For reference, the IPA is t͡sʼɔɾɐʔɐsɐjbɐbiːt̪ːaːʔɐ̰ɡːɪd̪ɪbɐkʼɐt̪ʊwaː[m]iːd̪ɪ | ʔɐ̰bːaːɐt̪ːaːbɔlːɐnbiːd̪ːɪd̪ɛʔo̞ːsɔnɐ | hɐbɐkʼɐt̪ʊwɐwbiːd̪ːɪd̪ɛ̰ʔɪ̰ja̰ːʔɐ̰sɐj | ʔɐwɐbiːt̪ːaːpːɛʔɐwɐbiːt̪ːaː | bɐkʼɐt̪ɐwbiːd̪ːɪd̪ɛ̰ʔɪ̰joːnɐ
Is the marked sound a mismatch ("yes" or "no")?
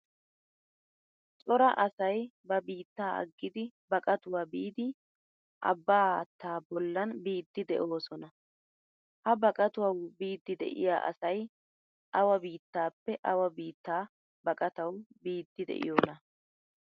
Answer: yes